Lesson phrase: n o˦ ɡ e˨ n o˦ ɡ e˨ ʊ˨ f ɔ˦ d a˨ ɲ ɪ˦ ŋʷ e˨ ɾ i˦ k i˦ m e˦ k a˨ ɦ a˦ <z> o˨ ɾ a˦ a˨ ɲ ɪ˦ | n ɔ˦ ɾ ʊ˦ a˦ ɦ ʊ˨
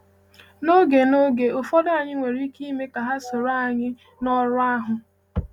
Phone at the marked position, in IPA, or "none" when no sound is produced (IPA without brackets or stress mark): s